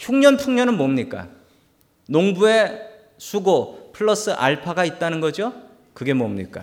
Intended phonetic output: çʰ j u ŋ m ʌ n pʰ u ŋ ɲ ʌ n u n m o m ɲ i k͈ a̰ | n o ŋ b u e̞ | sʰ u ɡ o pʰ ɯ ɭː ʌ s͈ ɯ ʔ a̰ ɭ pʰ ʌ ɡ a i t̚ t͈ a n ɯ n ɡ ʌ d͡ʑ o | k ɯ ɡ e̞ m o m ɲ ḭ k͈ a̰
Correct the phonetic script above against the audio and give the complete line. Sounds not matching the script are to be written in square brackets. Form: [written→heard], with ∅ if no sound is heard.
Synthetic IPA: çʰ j u ŋ [m→ɲ] ʌ n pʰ u ŋ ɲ ʌ n [u→ɯ] n m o m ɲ i k͈ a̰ | n o ŋ b u e̞ | sʰ u ɡ o pʰ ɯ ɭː ʌ s͈ ɯ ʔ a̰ ɭ pʰ [ʌ→a] ɡ a i t̚ t͈ a n ɯ n ɡ ʌ d͡ʑ o | k ɯ ɡ e̞ m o m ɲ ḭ k͈ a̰